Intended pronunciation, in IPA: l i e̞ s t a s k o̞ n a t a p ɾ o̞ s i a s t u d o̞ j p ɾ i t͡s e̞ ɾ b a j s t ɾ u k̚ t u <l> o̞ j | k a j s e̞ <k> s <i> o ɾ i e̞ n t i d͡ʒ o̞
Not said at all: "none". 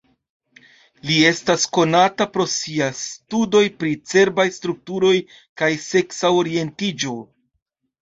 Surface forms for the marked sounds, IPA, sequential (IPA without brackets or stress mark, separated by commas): ɾ, k, a